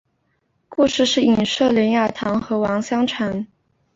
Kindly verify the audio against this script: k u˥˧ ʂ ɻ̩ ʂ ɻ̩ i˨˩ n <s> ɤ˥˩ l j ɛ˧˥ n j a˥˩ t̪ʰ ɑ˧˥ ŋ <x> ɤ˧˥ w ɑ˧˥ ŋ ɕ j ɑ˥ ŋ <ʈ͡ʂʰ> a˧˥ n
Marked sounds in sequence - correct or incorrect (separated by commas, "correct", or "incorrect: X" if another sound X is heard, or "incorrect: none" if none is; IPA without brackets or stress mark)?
incorrect: ʂ, correct, correct